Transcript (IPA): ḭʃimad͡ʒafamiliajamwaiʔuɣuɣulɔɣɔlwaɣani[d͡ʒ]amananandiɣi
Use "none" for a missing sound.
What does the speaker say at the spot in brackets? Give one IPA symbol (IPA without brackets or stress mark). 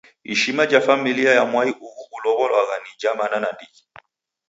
d͡ʒ